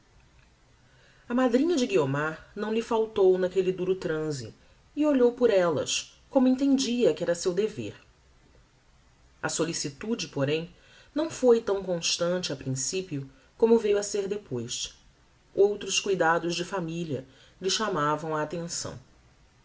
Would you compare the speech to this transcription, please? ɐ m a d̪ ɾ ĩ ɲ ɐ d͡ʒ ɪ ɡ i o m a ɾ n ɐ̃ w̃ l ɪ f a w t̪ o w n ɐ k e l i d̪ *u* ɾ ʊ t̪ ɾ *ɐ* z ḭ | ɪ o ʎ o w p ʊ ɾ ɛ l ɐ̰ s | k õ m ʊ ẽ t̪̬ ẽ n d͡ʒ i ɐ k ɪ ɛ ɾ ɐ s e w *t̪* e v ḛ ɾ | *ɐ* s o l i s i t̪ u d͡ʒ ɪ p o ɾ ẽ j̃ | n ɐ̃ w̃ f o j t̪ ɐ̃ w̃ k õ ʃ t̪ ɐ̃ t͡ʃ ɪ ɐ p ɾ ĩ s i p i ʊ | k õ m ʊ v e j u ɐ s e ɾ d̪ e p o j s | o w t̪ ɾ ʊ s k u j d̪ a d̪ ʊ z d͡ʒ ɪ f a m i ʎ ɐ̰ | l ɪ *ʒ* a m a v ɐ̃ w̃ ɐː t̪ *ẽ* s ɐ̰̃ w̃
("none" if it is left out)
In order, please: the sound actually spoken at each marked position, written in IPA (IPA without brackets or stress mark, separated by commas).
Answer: u, ɐ̃, d̪, ɐ, ʃ, ẽ